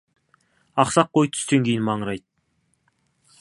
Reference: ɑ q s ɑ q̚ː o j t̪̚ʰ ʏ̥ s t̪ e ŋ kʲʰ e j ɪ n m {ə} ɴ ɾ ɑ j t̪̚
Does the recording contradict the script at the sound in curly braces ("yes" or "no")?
yes